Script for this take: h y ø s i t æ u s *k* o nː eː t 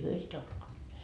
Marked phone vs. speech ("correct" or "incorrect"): correct